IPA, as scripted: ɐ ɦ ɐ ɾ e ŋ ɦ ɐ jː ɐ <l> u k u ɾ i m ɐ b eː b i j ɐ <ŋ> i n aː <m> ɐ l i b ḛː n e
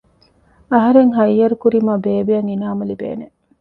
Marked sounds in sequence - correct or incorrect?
incorrect: ɾ, correct, correct

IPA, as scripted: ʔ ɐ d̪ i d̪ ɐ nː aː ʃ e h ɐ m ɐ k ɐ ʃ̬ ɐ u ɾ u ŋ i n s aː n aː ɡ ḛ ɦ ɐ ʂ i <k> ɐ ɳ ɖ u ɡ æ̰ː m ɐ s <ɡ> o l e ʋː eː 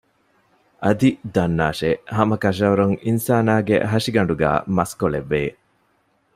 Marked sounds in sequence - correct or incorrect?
incorrect: ɡ, incorrect: k

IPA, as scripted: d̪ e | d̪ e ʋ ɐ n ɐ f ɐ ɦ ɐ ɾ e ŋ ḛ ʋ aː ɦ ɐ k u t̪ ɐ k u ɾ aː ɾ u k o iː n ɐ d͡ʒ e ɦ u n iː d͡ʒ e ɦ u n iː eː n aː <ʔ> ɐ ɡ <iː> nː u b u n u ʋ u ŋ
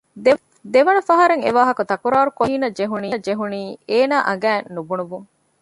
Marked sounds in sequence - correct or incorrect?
correct, incorrect: æː

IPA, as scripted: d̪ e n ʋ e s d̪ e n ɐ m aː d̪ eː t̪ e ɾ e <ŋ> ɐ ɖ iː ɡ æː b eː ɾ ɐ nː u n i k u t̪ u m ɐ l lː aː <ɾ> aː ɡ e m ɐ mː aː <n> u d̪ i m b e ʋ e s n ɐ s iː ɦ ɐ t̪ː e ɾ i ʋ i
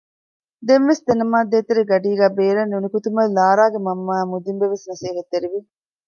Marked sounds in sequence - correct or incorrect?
incorrect: ɡ, correct, incorrect: m

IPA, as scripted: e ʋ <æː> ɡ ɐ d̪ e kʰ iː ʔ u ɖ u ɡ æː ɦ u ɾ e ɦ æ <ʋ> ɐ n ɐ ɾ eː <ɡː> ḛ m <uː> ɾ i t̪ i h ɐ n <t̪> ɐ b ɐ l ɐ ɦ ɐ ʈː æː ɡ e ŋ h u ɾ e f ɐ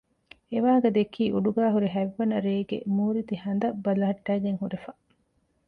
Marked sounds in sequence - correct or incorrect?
incorrect: aː, incorrect: ʋː, incorrect: ɡ, correct, incorrect: d̪

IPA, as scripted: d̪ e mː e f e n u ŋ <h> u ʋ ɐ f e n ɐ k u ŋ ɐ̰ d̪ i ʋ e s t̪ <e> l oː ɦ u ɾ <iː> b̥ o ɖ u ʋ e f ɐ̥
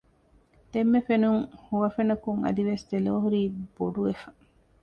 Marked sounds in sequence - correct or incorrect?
correct, correct, correct

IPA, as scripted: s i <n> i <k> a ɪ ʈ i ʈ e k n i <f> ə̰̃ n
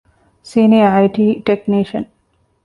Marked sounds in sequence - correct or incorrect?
correct, incorrect: none, incorrect: ʃ

